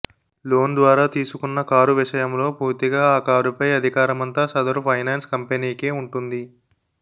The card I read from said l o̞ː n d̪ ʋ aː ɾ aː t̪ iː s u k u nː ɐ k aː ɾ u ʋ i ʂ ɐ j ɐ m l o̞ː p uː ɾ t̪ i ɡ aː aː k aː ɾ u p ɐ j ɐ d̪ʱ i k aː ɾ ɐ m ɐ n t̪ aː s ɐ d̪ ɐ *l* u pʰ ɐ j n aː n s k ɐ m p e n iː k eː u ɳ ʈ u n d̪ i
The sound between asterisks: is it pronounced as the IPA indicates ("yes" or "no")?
no